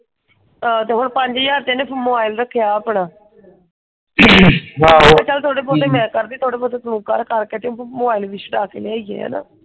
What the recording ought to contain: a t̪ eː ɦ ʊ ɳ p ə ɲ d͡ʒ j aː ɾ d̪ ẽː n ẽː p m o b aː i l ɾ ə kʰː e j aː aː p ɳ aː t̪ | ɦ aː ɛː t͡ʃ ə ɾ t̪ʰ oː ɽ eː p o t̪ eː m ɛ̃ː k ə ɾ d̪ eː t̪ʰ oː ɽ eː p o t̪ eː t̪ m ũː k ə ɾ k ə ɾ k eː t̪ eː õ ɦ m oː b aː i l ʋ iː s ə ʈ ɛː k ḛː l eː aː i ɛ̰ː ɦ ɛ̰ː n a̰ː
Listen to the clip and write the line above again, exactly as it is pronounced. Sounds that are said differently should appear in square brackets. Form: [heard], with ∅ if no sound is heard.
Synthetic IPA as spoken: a t̪ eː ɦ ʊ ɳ p ə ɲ d͡ʒ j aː ɾ [t̪] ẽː n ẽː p m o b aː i l ɾ ə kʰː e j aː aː p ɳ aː [∅] | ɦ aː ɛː t͡ʃ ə [l] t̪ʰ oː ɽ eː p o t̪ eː m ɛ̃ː k ə ɾ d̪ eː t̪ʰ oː ɽ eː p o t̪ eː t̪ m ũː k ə ɾ k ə ɾ k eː t̪ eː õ [∅] m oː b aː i l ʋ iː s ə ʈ [aː] k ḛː l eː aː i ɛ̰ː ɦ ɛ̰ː n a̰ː